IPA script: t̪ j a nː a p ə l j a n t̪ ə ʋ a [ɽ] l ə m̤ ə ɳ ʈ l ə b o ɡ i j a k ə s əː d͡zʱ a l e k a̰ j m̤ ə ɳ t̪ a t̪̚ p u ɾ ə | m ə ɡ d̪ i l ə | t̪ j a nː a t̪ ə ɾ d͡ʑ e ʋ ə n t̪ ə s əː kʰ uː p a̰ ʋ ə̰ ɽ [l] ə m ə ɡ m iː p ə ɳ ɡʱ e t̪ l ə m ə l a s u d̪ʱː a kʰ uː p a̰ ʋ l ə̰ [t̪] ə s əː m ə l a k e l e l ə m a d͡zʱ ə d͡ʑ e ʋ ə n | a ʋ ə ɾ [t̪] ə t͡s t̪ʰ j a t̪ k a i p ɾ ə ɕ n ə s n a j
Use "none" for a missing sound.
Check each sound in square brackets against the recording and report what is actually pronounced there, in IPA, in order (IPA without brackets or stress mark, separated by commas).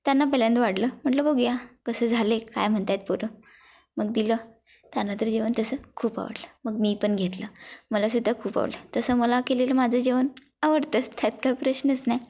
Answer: ɽ, l, t̪, t̪